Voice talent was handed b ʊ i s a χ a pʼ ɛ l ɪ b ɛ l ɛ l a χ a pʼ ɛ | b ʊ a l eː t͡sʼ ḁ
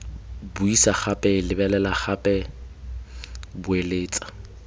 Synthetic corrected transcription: b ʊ i s a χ a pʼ ɛ l ɪ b ɛ l ɛ l a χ a pʼ ɛ | b ʊ e l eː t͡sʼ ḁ